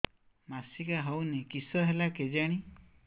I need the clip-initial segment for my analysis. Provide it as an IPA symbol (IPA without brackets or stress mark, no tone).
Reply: m